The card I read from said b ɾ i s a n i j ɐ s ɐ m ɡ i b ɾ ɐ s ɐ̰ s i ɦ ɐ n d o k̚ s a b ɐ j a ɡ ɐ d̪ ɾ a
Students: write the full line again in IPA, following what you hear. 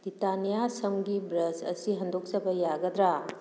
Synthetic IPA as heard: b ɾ i t a n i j a s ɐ m ɡ i b ɾ ɐ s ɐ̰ s i ɦ ɐ n d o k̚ s ɐ b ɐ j a ɡ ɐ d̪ ɾ a